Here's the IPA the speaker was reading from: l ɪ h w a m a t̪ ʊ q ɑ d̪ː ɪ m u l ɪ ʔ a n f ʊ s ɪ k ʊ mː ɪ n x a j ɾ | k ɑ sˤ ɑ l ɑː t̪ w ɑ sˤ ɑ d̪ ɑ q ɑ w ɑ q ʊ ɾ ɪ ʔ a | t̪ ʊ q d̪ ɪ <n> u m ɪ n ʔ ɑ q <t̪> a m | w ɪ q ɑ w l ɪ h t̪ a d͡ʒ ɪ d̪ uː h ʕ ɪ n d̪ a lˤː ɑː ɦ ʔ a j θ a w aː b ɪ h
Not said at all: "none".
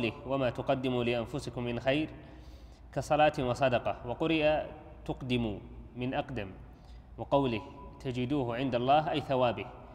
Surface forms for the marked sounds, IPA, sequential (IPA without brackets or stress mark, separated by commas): m, d̪